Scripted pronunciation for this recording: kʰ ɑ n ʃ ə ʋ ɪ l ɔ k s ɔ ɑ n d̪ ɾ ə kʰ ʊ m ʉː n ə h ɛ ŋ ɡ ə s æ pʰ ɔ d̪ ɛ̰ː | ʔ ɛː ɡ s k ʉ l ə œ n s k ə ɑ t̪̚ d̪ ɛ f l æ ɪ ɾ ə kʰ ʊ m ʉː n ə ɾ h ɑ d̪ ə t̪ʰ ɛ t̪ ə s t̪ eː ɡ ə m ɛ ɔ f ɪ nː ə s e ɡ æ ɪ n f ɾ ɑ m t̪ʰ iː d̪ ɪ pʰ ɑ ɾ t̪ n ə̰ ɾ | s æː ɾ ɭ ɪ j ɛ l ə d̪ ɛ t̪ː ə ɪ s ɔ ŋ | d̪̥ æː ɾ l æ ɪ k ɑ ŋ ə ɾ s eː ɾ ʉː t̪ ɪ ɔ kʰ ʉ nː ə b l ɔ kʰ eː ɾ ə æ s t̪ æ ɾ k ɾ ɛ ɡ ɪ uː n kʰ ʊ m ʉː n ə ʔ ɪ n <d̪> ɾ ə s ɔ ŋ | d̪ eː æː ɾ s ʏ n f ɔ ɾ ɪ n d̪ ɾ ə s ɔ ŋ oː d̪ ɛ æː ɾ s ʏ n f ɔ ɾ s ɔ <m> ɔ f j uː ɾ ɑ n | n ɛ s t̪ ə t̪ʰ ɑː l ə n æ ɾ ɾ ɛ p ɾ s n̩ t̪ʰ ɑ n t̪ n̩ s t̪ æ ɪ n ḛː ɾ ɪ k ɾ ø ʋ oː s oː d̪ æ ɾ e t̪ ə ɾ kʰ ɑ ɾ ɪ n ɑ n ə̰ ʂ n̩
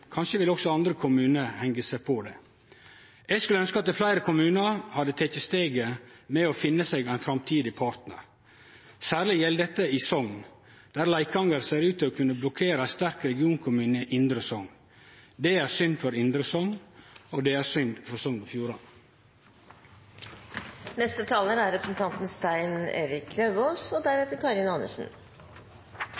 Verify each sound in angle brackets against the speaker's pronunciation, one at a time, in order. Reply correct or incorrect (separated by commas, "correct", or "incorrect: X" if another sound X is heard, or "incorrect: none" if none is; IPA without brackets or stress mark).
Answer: correct, incorrect: ŋ